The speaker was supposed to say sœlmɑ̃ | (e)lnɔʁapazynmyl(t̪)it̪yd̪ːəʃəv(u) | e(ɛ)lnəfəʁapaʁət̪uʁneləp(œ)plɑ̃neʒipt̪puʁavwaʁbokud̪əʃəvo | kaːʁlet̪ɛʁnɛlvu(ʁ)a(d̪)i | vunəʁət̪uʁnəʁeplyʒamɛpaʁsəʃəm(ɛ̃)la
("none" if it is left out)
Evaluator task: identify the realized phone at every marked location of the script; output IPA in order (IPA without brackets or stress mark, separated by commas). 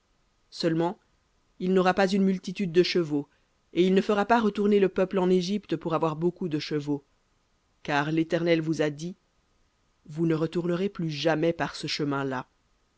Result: i, t̪, o, i, œ, z, d̪, ɛ̃